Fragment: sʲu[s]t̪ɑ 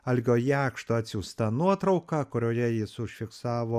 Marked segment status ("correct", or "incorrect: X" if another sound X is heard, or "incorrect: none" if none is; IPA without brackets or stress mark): correct